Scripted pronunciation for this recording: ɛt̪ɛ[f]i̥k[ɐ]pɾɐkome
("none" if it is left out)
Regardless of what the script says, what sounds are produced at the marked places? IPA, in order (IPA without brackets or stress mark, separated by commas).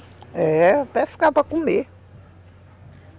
f, a